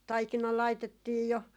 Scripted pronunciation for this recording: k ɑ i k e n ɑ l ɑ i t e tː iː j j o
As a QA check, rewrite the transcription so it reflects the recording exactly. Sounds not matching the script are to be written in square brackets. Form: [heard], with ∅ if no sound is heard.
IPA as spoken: [t] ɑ i k [i] n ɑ l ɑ i t e tː iː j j o